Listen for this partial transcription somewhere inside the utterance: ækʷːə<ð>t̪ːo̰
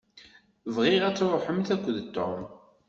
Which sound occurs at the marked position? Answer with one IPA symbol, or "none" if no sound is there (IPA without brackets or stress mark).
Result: ð